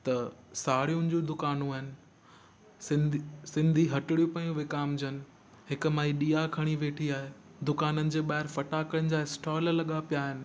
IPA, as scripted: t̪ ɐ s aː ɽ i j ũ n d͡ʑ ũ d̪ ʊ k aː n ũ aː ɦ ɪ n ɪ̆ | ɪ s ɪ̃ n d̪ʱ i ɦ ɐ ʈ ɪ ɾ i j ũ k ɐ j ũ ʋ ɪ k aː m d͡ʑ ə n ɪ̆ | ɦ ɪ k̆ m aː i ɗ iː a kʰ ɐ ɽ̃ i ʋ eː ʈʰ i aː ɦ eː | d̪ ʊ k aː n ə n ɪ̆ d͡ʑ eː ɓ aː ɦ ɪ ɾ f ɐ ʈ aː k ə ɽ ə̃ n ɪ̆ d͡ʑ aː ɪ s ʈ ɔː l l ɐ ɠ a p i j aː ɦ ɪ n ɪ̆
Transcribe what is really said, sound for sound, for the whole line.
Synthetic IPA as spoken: t̪ ɐ s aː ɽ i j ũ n d͡ʑ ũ d̪ ʊ k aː n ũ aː ɦ ɪ n ɪ̆ | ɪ s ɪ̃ n d̪ʱ i ɦ ɐ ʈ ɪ ɽ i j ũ p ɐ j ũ ʋ ɪ k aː m d͡ʑ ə n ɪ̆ | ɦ ɪ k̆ m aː i ɗ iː a kʰ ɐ ɽ̃ i ʋ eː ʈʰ i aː ɦ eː | d̪ ʊ k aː n ə n ɪ̆ d͡ʑ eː ɓ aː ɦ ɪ ɾ f ɐ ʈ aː k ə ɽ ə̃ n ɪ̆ d͡ʑ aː ɪ s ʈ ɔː l l ɐ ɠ a p i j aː ɦ ɪ n ɪ̆